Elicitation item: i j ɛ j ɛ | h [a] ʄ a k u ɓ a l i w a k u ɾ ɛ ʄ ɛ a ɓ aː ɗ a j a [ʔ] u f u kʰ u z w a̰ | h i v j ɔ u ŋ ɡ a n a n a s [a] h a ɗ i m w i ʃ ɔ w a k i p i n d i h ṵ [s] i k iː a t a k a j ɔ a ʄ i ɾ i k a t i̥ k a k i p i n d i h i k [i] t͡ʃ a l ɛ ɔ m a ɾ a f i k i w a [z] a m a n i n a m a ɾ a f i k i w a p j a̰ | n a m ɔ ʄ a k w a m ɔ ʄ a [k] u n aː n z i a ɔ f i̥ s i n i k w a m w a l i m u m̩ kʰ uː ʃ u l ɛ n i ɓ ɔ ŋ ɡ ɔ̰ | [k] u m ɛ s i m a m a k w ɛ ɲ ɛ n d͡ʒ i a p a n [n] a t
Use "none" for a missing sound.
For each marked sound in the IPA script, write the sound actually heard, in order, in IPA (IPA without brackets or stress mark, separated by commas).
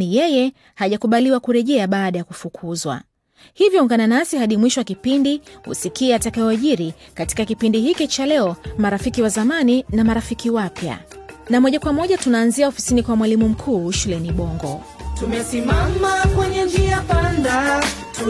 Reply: a, k, i, s, i, z, t, t, d